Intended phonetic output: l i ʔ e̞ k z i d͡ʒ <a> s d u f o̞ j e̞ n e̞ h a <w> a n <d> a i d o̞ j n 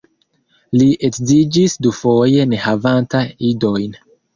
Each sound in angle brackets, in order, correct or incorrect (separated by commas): incorrect, incorrect, incorrect